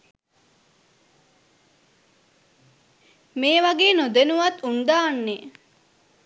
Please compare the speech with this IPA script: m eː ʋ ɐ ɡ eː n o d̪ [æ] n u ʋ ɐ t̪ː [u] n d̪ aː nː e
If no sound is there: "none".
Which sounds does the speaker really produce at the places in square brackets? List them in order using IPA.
e, u

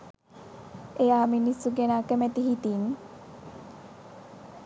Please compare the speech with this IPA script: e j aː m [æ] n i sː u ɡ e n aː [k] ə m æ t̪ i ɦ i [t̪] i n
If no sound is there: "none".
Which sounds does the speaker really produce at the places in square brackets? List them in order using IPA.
i, k, t̪

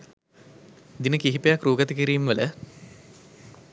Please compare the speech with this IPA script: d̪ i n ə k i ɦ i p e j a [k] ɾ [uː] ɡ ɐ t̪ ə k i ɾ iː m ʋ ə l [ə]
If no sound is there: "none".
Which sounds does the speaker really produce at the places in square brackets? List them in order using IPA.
k, uː, ə

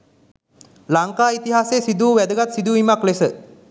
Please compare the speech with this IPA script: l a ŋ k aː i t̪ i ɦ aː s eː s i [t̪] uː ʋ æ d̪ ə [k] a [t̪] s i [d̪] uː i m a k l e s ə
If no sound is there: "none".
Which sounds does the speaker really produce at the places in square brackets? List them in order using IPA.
d̪, ɡ, t̪, d̪

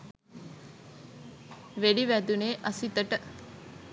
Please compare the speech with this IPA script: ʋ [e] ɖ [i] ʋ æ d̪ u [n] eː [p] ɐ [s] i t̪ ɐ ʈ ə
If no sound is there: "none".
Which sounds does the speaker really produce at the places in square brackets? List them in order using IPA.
e, i, n, ʔ, s

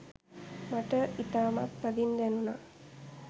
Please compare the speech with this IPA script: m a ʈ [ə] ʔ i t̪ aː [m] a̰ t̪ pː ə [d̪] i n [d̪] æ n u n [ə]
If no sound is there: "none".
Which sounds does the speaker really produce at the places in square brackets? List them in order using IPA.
ə, m, d̪, d̪, a

